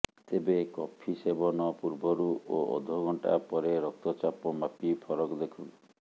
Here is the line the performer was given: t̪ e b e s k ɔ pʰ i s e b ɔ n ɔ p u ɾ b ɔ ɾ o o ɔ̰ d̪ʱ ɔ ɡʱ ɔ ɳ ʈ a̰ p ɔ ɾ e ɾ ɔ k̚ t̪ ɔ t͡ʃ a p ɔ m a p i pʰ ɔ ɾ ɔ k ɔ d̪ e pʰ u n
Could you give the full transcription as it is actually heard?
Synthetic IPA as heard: t̪ e b e k ɔ pʰ i s e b ɔ n ɔ p u ɾ b ɔ ɾ u o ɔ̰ d̪ʱ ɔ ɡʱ ɔ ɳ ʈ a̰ p ɔ ɾ e ɾ ɔ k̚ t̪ ɔ t͡ʃ a p ɔ m a p i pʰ ɔ ɾ ɔ k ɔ d̪ e kʰ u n